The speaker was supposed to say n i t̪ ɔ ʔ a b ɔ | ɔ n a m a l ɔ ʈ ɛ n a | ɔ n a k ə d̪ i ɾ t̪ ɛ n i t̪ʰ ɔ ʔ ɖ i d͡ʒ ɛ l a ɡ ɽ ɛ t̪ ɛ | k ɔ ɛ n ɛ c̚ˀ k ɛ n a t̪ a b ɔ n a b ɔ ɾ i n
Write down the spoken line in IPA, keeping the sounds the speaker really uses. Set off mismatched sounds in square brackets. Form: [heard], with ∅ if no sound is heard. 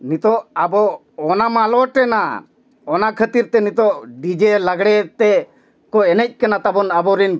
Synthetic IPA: n i t̪ ɔ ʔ a b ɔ | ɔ n a m a l ɔ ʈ ɛ n a | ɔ n a [kʰ] ə [t̪] i ɾ t̪ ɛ n i [t̪] ɔ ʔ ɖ i d͡ʒ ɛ l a ɡ ɽ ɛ t̪ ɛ | k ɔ ɛ n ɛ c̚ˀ k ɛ n a t̪ a b ɔ n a b ɔ ɾ i n